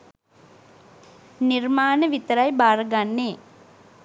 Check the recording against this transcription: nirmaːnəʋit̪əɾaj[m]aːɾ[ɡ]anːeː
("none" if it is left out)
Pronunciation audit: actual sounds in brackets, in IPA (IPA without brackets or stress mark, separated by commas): b, ɡ